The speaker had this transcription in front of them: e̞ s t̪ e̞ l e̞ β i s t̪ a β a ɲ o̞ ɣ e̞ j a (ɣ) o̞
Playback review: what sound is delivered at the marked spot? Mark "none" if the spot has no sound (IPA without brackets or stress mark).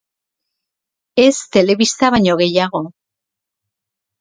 ɣ